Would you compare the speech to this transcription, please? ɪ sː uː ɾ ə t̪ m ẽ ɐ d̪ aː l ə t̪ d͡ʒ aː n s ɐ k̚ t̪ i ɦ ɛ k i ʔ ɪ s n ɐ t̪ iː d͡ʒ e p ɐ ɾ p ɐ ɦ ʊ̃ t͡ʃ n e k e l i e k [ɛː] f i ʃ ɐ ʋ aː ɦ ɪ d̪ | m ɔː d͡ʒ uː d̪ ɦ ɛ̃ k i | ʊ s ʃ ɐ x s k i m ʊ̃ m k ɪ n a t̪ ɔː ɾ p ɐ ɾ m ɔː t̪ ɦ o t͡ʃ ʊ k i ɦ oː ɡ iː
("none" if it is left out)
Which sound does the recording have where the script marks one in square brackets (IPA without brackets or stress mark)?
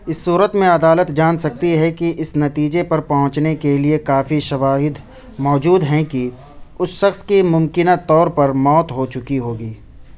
aː